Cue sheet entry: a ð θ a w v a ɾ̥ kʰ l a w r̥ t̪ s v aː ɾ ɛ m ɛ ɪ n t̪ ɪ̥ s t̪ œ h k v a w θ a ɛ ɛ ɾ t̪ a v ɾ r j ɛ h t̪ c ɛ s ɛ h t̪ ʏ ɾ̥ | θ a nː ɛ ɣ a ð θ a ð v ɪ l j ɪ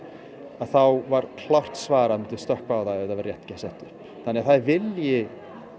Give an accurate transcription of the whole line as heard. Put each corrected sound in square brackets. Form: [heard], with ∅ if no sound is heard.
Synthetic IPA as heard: a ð θ a w v a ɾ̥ kʰ l a w r̥ t̪ s v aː ɾ [a] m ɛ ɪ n t̪ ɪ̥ s t̪ œ h k v a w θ a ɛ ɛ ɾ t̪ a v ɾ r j ɛ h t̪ c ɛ s ɛ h t̪ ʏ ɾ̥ | θ a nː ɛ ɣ a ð θ a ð v ɪ l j ɪ

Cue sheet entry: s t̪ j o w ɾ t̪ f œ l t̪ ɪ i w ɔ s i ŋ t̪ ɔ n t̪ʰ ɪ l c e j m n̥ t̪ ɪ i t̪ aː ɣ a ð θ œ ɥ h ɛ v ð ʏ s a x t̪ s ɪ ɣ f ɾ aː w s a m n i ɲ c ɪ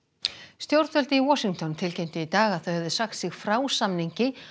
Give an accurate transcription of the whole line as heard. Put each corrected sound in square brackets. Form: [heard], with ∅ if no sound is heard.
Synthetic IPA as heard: s t̪ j o w ɾ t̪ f œ l t̪ ɪ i w ɔ s i ŋ t̪ ɔ n t̪ʰ ɪ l c e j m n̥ t̪ ɪ i t̪ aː ɣ a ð θ œ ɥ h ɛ v ð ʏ s a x t̪ s ɪ ɣ f ɾ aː w s a m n i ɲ c ɪ

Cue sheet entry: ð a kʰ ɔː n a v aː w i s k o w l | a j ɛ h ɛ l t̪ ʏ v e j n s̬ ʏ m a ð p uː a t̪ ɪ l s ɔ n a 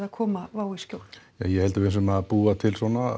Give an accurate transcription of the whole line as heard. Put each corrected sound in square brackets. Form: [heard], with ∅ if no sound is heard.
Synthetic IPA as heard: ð a kʰ ɔː [m] a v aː w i s [c] o w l | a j ɛ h ɛ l t̪ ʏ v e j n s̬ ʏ m a ð p uː a [t̪ʰ] ɪ l s ɔ n a

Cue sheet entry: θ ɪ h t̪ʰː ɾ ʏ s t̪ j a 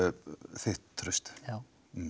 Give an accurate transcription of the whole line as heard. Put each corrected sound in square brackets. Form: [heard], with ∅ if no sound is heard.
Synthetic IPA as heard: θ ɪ h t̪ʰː ɾ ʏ s t̪ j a

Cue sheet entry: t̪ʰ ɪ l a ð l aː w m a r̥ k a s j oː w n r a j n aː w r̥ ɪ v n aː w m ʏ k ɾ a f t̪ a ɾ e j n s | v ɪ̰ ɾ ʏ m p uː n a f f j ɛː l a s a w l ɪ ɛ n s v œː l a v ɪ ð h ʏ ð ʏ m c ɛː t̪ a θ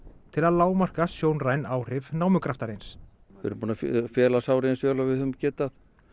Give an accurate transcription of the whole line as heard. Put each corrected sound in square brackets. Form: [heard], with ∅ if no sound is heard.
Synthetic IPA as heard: t̪ʰ ɪ l a ð l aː w m a r̥ k a s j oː w n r a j n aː w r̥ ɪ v n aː w m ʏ k ɾ a f t̪ a ɾ e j n s | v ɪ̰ ɾ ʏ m p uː n a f f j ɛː l a s a w [ɾ] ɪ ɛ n s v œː l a v ɪ ð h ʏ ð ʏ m c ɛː t̪ a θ

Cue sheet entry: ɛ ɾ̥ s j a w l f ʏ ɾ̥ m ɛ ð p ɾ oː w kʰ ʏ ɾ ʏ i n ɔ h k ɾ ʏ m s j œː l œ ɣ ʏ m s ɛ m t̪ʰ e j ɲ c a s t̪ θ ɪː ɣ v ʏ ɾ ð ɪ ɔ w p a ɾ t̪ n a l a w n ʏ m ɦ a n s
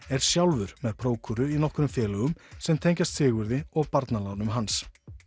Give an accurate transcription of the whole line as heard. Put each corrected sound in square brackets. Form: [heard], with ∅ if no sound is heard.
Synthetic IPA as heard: ɛ ɾ̥ s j a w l [v] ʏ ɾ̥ m ɛ ð [pʰ] ɾ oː w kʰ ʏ ɾ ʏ i n ɔ h k ɾ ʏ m [f] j [ɛː] l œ ɣ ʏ m s ɛ m t̪ʰ e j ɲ c a s t̪ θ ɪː ɣ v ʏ ɾ ð ɪ ɔ [ɣ] p a ɾ t̪ n a l a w n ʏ m ɦ a n s

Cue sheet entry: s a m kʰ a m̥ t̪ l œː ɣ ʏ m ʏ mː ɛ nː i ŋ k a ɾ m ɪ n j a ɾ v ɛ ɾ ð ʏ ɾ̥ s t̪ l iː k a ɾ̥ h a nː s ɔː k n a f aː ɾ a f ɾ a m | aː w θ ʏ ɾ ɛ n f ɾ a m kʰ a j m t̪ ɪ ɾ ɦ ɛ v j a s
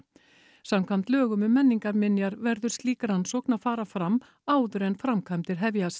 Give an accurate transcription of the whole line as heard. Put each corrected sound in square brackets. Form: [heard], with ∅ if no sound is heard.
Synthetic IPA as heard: s a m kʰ a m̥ t̪ l œː ɣ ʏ m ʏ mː ɛ nː i ŋ k a ɾ m ɪ n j a ɾ v ɛ ɾ ð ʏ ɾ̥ s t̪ l iː k a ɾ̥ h a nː s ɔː k n a f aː ɾ a f ɾ a m | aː w [ð] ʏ ɾ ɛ n f ɾ a m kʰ a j m t̪ ɪ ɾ ɦ ɛ v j a s

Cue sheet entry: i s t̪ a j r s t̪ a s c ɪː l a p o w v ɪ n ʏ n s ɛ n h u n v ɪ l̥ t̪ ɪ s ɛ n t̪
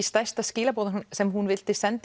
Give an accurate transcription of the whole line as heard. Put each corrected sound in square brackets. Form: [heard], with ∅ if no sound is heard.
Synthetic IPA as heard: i s t̪ a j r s t̪ a s c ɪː l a p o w [ð] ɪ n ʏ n s ɛ [m] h u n v ɪ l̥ t̪ ɪ s ɛ n t̪

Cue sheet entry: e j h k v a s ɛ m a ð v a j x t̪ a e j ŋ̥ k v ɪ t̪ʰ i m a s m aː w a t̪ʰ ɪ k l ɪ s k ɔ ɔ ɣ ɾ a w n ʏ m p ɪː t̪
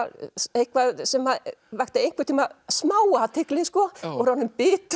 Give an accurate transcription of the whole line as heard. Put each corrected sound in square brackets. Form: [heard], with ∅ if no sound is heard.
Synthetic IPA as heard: e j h k v a s ɛ m a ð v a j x t̪ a e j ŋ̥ k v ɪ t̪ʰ i m a s m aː w a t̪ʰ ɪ k l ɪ s k ɔ ɔ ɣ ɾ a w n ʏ m p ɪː t̪

